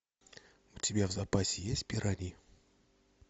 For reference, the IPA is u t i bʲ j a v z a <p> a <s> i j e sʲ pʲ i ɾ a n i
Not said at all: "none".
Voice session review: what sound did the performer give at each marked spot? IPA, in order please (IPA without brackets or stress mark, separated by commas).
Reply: p, s